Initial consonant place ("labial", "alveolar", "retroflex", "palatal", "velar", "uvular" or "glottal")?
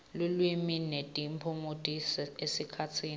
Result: alveolar